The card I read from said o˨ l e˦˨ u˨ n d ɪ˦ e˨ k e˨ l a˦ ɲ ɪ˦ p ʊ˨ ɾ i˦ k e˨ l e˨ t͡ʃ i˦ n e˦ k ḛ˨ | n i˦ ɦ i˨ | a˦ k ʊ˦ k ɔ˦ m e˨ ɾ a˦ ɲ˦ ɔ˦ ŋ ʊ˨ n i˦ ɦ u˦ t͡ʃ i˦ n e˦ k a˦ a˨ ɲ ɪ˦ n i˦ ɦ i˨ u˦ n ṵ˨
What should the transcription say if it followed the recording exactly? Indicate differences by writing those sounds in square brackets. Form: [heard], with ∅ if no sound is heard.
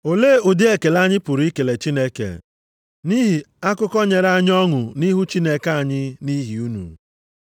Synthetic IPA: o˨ l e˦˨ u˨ [∅] d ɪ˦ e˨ k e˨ l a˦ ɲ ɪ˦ p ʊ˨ ɾ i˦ k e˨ l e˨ t͡ʃ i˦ n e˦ k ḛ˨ | n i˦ ɦ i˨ | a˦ k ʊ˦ k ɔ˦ [ɲ] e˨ ɾ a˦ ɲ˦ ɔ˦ ŋ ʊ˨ n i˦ ɦ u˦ t͡ʃ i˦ n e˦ k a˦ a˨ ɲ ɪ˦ n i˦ ɦ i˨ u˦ n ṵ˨